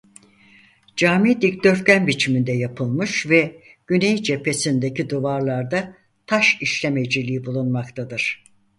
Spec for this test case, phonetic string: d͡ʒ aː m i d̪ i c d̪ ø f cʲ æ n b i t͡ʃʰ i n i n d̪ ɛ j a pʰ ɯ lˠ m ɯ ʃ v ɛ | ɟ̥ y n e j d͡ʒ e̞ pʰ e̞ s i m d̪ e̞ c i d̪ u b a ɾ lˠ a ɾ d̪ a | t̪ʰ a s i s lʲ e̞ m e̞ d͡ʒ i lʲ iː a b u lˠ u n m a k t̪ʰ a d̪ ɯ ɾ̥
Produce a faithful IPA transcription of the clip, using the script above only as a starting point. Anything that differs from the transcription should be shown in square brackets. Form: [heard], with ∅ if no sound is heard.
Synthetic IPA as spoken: d͡ʒ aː m i d̪ i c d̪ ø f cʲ æ n b i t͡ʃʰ i [m] i n d̪ ɛ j a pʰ ɯ lˠ m ɯ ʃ v ɛ | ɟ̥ y n e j d͡ʒ e̞ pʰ e̞ s i [n] d̪ e̞ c i d̪ u [v] a ɾ lˠ a ɾ d̪ a | t̪ʰ a [ʃ] i [ʃ] lʲ e̞ m e̞ d͡ʒ i lʲ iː [i] b u lˠ u n m a k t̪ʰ a d̪ ɯ ɾ̥

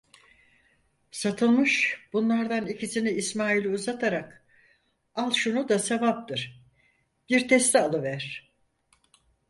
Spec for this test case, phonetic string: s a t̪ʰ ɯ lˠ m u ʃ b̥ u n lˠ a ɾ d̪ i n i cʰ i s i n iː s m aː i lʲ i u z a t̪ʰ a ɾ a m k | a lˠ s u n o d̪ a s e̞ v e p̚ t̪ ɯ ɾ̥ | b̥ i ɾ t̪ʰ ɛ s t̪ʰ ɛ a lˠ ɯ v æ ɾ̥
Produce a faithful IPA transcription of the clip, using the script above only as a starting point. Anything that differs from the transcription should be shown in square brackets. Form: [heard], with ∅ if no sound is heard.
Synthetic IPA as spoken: s a t̪ʰ ɯ lˠ m [ɯ] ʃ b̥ u n lˠ a ɾ d̪ [a] n i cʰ i s i n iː s m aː i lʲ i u z a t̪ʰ a ɾ a [∅] k | a lˠ [ʃ] u n [u] d̪ a s e̞ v [a] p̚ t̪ ɯ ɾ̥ | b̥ i ɾ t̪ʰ ɛ s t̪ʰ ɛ a lˠ ɯ v æ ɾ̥

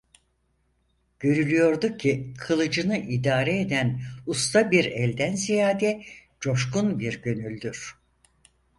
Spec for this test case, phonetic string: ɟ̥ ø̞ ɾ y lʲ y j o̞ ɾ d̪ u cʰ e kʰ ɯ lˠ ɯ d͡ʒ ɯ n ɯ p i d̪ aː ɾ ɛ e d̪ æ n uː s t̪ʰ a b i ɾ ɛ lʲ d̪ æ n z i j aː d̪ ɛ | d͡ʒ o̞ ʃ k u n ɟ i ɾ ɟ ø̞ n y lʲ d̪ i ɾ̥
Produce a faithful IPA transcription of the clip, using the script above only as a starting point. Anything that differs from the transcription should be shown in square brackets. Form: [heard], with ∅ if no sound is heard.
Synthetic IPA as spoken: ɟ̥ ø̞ ɾ y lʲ y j o̞ ɾ d̪ u cʰ [i] kʰ ɯ lˠ ɯ d͡ʒ ɯ n ɯ [ʔ] i d̪ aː ɾ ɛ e d̪ æ n [u] s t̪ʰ a b i ɾ ɛ lʲ d̪ æ n z i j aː d̪ ɛ | d͡ʒ o̞ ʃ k u n [b] i ɾ ɟ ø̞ n y lʲ d̪ [y] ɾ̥

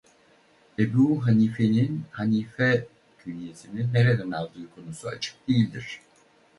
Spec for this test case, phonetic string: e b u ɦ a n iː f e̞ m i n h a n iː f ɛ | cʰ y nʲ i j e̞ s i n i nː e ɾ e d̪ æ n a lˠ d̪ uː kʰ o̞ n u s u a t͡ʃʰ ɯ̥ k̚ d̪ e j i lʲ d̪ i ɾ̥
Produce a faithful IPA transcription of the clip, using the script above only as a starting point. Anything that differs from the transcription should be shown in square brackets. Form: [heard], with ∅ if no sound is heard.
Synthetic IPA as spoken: e b u ɦ a n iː f e̞ [n] i n h a n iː f ɛ | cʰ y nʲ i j e̞ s i n i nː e ɾ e d̪ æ n a lˠ d̪ [ɯː] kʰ o̞ n u s u a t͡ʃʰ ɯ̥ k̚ d̪ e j i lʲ d̪ i ɾ̥

